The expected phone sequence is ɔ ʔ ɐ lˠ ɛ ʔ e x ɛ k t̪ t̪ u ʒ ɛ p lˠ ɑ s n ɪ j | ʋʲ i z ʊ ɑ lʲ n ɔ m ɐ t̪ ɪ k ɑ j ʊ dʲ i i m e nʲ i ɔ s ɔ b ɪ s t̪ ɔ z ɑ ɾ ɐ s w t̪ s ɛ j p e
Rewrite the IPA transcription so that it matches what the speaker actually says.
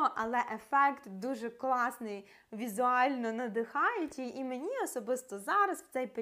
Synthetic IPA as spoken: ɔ ʔ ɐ lˠ ɛ ʔ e f ɛ k t̪ d̪ u ʒ ɛ k lˠ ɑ s n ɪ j | ʋʲ i z ʊ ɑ lʲ n ɔ n ɐ d̪ ɪ x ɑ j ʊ tʲ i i m e nʲ i ɔ s ɔ b ɪ s t̪ ɔ z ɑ ɾ ɐ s w t̪ s ɛ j p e